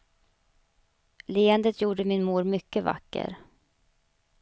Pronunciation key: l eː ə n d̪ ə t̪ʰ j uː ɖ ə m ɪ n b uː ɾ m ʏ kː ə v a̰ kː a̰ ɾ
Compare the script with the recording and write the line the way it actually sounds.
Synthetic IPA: l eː ə n d̪ ə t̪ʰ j uː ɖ ə m ɪ n m uː ɾ m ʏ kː ə v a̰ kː ə̰ ɾ